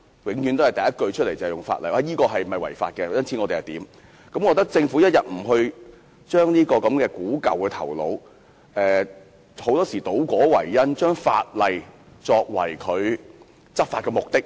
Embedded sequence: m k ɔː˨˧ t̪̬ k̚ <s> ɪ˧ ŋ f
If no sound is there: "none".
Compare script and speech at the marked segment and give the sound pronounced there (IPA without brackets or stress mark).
t͡s